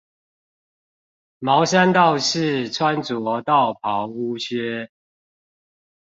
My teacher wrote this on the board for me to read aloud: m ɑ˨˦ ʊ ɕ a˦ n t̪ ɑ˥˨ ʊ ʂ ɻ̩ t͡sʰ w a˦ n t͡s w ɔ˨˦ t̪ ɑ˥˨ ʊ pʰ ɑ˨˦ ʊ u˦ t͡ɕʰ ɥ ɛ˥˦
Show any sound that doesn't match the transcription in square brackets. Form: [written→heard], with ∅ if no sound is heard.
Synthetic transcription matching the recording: m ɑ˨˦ ʊ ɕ a˦ n t̪ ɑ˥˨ ʊ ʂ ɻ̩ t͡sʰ w a˦ n t͡s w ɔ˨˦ t̪ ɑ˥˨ ʊ pʰ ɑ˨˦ ʊ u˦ t͡ɕʰ ɥ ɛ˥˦